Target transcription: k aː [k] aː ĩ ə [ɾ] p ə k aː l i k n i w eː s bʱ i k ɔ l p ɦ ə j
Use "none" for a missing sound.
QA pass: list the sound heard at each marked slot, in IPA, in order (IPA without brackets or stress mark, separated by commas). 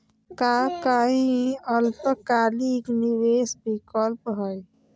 k, l